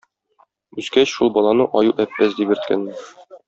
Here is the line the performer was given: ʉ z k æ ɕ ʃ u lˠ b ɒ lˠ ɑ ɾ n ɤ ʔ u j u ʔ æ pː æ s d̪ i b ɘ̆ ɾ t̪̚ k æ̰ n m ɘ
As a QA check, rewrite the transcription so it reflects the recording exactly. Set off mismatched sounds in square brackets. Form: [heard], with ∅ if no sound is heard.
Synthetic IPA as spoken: ʉ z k æ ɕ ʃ u lˠ b ɒ lˠ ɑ [∅] n ɤ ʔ [ɒ] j u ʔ æ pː æ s d̪ i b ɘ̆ ɾ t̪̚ k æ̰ n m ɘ